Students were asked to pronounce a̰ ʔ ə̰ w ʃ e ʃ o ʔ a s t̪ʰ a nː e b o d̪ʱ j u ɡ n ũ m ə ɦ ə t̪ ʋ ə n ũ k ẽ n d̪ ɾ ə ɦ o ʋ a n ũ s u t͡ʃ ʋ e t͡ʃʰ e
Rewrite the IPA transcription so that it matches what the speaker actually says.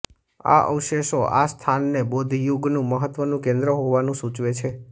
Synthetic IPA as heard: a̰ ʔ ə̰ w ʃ e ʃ o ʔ a s t̪ʰ a nː e b o d̪ʱ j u ɡ n ũ m ə ɦ ə t̪ ʋ ə n ũ k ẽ n d̪ ɾ ə ɦ o ʋ a n ũ s u t͡ʃ ʋ e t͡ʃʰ e